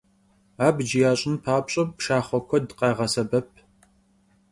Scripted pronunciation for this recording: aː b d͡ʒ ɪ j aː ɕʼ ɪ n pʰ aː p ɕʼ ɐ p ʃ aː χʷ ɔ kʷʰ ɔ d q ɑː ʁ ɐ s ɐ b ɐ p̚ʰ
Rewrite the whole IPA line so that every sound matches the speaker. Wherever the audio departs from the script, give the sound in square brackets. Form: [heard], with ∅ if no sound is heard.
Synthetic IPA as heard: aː b d͡ʒ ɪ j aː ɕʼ ɪ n pʰ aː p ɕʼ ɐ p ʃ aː χʷ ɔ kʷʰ ɔ d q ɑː ʁ ɐ s ɐ b ɐ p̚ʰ